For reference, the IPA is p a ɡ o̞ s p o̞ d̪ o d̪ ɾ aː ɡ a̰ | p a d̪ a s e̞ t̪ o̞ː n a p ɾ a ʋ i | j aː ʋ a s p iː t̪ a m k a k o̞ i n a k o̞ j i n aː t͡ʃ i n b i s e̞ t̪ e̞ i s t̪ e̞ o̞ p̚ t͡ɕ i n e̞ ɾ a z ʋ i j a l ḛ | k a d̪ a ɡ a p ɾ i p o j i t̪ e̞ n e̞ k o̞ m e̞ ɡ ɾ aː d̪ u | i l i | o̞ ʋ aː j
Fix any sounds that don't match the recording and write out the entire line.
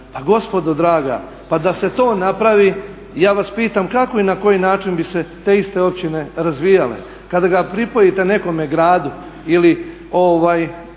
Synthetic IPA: p a ɡ o̞ s p o̞ d̪ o d̪ ɾ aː ɡ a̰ | p a d̪ a s e̞ t̪ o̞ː n a p ɾ a ʋ i | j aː ʋ a s p iː t̪ a m k a k o̞ i n a k o̞ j i n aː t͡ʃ i n b i s e̞ t̪ e̞ i s t̪ e̞ o̞ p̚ t͡ɕ i n e̞ ɾ a z ʋ i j a l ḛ | k a d̪ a ɡ a p ɾ i p o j i t̪ e̞ n e̞ k o̞ m e̞ ɡ ɾ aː d̪ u | i l i | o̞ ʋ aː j